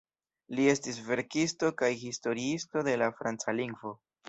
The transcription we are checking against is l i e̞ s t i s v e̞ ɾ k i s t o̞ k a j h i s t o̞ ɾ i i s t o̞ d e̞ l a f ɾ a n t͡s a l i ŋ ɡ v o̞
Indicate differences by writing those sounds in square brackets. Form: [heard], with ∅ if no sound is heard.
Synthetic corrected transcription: l i e̞ s t i s v e̞ ɾ k i s t o̞ k a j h i s t o̞ ɾ i i s t o̞ d e̞ l a f ɾ a n t͡s a l i ŋ ɡ v o̞